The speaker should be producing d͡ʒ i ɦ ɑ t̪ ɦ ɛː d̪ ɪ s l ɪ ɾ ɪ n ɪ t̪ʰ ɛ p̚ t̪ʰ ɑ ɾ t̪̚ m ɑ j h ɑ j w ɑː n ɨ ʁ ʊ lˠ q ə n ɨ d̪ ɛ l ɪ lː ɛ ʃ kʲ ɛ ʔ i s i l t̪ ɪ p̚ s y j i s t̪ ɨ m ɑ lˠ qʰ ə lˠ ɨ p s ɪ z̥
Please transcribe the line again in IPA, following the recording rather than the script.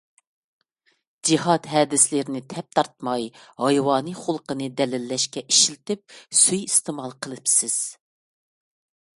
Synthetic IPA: d͡ʒ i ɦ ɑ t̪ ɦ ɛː d̪ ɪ s l ɪ ɾ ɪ n ɪ t̪ʰ ɛ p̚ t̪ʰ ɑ ɾ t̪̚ m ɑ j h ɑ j w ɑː n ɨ χ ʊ lˠ q ə n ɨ d̪ ɛ l ɪ lː ɛ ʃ kʲ ɛ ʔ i ʃ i l t̪ ɪ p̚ s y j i s t̪ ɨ m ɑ lˠ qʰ ə lˠ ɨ p s ɪ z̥